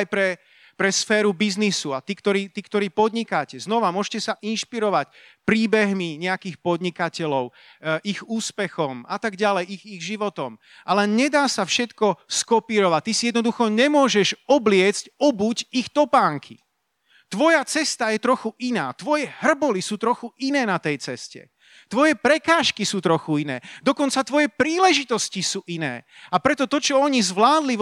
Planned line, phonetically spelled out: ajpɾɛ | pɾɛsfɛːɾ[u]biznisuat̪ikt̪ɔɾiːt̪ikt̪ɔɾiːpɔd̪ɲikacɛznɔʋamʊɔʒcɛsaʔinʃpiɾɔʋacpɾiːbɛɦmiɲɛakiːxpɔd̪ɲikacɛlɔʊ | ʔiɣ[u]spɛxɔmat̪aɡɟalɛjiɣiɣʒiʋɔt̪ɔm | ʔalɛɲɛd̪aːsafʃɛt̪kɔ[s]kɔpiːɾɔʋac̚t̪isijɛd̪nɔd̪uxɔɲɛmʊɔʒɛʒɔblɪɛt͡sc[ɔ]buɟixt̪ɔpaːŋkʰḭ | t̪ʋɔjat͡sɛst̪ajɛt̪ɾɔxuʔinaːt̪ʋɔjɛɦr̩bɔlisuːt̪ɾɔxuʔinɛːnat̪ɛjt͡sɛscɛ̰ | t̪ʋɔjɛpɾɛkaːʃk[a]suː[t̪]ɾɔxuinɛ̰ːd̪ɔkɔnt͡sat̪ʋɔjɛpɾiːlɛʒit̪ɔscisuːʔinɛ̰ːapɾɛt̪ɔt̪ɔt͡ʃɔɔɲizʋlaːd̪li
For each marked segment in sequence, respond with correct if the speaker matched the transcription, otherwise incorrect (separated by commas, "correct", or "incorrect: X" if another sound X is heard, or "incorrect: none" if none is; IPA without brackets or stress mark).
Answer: correct, incorrect: uː, correct, correct, incorrect: i, correct